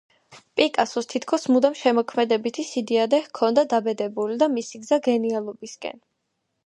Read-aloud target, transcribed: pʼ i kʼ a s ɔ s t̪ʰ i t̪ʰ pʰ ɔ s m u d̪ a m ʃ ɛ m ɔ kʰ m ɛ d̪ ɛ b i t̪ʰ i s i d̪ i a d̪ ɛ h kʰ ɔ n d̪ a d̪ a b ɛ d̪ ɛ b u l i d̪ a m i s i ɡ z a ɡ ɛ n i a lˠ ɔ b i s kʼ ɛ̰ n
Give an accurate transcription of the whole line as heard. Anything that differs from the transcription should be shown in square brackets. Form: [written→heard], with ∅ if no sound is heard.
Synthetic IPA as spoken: pʼ i kʼ a s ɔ s t̪ʰ i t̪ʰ [pʰ→kʰ] ɔ s m u d̪ a m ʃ ɛ m ɔ kʰ m ɛ d̪ ɛ b i t̪ʰ i s i d̪ i a d̪ ɛ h kʰ ɔ n d̪ a d̪ a b ɛ d̪ ɛ b u l i d̪ a m i s i ɡ z a ɡ ɛ n i a lˠ ɔ b i s kʼ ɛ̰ n